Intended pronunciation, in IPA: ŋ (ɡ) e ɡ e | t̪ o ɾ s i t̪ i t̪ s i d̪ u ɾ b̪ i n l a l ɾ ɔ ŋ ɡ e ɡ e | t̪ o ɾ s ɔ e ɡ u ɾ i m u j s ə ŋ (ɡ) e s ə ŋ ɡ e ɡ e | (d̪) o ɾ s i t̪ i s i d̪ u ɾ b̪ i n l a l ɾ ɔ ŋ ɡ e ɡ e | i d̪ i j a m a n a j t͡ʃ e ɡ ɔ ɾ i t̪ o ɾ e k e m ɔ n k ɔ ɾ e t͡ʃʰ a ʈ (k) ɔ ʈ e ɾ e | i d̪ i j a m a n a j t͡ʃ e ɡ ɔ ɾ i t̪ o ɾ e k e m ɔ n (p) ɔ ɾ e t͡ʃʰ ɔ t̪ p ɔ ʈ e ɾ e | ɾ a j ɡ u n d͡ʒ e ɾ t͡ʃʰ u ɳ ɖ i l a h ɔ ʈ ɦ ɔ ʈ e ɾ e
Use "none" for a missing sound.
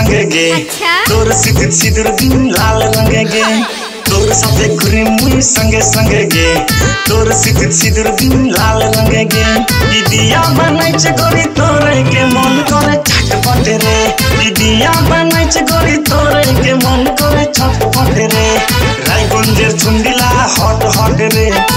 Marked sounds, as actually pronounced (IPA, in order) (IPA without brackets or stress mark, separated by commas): ɡ, ɡ, t̪, p, k